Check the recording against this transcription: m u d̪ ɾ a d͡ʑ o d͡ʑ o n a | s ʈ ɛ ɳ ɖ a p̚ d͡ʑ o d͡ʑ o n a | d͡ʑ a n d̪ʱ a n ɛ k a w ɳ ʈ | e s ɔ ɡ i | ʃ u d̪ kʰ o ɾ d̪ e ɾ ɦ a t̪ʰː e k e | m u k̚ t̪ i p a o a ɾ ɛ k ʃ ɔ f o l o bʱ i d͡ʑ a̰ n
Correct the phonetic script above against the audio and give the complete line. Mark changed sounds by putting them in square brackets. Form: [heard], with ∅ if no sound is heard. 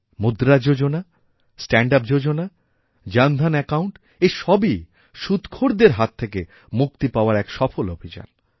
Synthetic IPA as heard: m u d̪ ɾ a d͡ʑ o d͡ʑ o n a | s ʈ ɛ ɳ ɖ a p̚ d͡ʑ o d͡ʑ o n a | d͡ʑ a n d̪ʱ a n ɛ k a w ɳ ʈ | e [ʃ] ɔ [b] i | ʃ u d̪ kʰ o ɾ d̪ e ɾ ɦ a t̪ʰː e k e | m u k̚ t̪ i p a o a ɾ ɛ k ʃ ɔ f o l o bʱ i d͡ʑ a̰ n